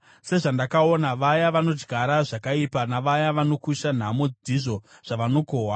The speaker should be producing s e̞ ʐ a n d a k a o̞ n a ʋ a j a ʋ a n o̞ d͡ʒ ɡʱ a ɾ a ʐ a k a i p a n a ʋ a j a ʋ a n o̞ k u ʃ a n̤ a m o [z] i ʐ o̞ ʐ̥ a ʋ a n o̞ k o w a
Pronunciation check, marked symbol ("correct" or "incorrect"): incorrect